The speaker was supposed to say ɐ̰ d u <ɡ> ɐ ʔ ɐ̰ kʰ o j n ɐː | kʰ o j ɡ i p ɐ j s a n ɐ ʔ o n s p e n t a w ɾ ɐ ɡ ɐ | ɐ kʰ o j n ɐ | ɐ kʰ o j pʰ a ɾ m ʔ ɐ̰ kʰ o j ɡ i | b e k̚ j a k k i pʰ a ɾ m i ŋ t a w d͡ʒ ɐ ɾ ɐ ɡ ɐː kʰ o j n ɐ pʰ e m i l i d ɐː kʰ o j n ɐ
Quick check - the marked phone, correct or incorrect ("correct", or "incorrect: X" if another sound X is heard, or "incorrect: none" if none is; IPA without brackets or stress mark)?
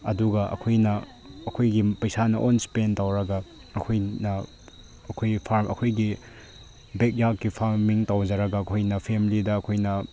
correct